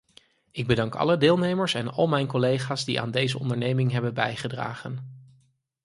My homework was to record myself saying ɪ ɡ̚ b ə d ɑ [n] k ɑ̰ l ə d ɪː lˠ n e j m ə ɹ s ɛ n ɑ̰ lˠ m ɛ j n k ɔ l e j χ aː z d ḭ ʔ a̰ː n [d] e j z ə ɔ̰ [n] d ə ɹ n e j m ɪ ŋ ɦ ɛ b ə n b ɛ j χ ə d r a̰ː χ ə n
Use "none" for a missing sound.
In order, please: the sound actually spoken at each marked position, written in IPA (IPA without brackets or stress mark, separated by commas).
ŋ, d, n